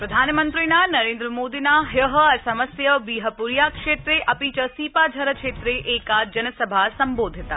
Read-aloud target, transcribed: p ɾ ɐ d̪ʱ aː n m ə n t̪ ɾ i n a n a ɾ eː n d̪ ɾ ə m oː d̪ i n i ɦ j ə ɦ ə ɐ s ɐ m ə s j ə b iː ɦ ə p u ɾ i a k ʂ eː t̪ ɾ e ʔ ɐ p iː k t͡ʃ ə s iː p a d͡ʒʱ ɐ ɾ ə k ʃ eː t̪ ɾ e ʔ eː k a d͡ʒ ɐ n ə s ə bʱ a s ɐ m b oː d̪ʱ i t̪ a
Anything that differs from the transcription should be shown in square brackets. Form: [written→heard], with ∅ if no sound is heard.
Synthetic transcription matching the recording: p ɾ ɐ d̪ʱ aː n m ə n t̪ ɾ i n a n [a→ɐ] ɾ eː n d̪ ɾ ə m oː d̪ i n [i→a] ɦ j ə ɦ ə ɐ s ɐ m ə s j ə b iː ɦ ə p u ɾ [i→j] a k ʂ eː t̪ ɾ e ʔ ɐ p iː [k→∅] t͡ʃ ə s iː p a d͡ʒʱ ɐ ɾ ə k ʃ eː t̪ ɾ e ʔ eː k a d͡ʒ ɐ n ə s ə bʱ a s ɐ m b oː d̪ʱ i t̪ a